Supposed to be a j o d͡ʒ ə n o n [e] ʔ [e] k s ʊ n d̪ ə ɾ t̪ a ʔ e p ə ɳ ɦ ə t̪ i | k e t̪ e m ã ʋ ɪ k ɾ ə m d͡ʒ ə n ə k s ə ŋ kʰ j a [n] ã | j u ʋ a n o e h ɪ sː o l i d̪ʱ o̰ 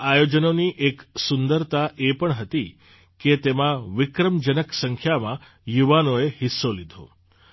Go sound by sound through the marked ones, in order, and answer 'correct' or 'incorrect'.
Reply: incorrect: i, correct, incorrect: m

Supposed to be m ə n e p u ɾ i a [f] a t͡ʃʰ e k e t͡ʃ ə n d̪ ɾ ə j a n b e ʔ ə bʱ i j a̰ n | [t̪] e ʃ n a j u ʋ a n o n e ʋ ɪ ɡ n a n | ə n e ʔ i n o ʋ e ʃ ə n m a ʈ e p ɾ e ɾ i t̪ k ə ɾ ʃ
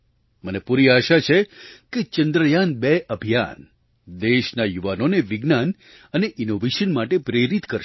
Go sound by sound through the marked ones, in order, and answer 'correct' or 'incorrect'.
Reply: incorrect: ʃ, incorrect: d̪

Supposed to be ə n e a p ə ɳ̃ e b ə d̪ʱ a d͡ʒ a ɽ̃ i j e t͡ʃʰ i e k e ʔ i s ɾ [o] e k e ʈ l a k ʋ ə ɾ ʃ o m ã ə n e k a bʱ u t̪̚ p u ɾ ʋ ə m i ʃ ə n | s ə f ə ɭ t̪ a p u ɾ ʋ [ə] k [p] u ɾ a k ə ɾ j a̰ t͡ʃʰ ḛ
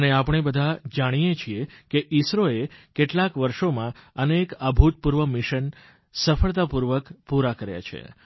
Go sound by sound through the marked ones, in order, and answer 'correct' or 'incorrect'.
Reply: correct, correct, correct

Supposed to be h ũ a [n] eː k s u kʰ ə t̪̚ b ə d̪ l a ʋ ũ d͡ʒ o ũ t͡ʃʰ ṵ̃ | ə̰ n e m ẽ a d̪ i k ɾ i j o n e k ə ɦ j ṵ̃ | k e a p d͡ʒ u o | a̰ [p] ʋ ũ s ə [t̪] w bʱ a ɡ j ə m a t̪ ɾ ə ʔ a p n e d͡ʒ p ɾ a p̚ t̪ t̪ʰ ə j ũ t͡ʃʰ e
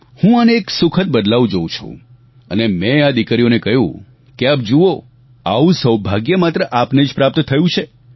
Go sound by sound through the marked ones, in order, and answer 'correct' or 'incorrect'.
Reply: correct, incorrect: none, incorrect: none

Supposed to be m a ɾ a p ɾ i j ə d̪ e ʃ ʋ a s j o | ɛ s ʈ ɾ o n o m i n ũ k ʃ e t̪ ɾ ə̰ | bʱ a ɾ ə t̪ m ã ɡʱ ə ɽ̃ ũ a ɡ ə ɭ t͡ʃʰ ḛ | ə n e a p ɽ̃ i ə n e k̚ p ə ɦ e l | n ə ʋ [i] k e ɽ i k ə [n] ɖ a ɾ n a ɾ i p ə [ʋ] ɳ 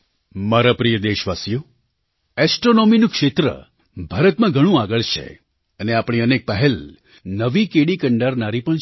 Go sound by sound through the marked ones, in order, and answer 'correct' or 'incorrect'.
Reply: correct, incorrect: ɳ, incorrect: none

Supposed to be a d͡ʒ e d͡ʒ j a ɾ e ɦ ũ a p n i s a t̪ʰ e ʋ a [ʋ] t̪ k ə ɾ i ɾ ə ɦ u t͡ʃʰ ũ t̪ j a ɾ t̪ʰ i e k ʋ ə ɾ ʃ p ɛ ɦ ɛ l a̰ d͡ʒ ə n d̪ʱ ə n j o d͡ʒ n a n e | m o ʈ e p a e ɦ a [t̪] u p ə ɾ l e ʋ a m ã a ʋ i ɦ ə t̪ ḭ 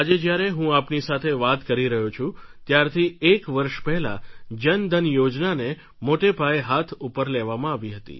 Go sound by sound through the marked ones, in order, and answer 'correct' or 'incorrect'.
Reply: incorrect: none, incorrect: t̪ʰ

